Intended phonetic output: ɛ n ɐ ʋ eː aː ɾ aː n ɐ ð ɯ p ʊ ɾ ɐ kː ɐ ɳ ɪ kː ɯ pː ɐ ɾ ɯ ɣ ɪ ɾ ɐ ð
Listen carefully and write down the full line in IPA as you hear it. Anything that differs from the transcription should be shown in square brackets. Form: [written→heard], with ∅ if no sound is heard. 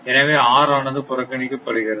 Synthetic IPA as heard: ɛ n ɐ ʋ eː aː ɾ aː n ɐ ð ɯ p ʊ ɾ ɐ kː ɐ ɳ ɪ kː ɯ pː ɐ [ɾ→ɽ] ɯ ɣ ɪ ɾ ɐ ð